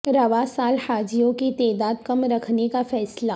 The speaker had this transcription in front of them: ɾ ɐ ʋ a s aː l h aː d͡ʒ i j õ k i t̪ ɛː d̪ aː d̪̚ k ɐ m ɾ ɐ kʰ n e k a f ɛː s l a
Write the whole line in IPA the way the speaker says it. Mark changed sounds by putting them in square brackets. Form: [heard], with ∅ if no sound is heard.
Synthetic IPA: ɾ ɐ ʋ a s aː l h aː d͡ʒ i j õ k i t̪ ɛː d̪ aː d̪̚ k ɐ m ɾ ɐ kʰ n e k a f ɛː s l a